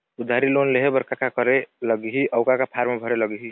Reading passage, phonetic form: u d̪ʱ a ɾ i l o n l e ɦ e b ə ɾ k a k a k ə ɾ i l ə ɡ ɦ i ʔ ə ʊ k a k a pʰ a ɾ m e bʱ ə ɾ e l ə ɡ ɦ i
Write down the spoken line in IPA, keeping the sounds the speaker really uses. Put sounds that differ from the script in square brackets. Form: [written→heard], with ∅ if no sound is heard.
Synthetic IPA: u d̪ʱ a ɾ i l o n l e ɦ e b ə ɾ k a k a k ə ɾ [i→e] l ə ɡ ɦ i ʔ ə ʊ k a k a pʰ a ɾ m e bʱ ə ɾ e l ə ɡ ɦ i